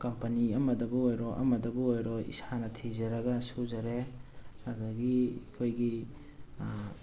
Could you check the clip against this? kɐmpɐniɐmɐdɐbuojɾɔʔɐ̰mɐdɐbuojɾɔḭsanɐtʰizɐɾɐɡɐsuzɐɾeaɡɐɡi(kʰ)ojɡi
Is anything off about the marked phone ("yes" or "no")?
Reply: no